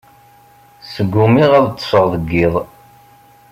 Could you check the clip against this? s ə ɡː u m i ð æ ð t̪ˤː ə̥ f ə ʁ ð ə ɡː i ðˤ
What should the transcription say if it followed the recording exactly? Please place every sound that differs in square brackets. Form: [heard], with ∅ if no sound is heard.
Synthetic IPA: s ə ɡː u m i [ʁ] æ ð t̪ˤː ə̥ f ə ʁ ð ə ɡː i ðˤ